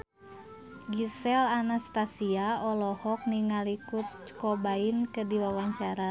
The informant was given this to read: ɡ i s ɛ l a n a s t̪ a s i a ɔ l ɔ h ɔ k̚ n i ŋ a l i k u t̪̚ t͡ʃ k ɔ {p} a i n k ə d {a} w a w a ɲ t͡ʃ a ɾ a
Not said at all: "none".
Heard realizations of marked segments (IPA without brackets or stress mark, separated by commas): b, i